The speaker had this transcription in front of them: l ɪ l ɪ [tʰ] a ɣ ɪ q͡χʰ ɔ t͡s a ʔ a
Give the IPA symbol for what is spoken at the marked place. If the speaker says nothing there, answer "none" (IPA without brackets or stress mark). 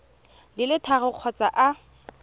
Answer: tʰ